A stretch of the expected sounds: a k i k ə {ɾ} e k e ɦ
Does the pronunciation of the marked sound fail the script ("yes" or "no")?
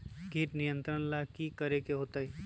no